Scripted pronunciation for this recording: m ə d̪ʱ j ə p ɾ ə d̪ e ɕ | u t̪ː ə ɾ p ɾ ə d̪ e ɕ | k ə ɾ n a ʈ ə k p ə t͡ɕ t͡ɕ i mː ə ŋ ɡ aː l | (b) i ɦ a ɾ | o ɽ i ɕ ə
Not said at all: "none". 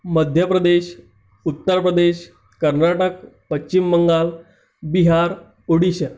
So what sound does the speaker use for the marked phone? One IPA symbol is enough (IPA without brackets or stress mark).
b